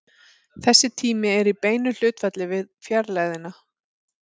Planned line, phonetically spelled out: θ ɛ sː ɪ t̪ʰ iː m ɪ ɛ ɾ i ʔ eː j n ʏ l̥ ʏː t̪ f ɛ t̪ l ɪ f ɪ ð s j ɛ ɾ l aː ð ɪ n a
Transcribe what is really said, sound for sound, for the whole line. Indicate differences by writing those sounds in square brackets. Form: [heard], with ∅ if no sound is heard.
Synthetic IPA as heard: θ ɛ sː ɪ t̪ʰ iː m ɪ ɛ ɾ i [p] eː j n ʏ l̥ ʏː t̪ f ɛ t̪ l ɪ [v] ɪ ð [f] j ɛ ɾ l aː ð ɪ n a